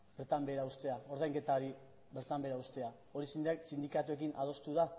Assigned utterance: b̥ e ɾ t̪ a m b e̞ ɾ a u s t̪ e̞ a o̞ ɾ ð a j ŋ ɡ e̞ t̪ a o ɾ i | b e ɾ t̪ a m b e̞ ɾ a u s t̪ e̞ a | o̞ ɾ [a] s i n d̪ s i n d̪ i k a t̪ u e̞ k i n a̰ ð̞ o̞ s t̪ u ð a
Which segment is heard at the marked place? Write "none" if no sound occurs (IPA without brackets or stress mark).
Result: i